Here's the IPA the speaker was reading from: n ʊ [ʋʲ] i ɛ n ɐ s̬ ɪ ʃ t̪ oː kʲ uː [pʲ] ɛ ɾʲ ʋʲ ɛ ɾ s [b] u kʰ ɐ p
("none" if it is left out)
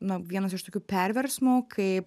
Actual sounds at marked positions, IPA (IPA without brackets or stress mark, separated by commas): ʋʲ, pʲ, m